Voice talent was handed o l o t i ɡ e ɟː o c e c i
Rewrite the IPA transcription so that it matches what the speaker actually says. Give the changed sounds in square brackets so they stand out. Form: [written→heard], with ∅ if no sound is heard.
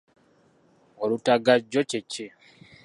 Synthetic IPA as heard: o l [o→u] t [i→a] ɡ [e→a] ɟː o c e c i